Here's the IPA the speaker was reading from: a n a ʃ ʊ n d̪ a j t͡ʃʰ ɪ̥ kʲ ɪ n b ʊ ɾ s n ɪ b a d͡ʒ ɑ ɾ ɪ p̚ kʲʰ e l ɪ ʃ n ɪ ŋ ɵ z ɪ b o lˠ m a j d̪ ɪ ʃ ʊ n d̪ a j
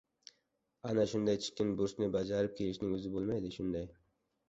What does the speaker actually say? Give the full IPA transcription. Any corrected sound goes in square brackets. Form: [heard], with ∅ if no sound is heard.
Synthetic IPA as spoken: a n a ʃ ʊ n d̪ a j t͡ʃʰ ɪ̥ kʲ ɪ n b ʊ ɾ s n ɪ b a d͡ʒ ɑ ɾ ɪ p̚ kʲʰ e l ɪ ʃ n ɪ ŋ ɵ z ɪ b o lˠ m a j d̪ ɪ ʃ ʊ n d̪ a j